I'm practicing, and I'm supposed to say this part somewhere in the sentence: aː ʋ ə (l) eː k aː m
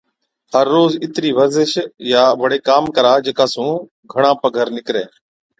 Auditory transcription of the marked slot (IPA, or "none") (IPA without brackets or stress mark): ɽ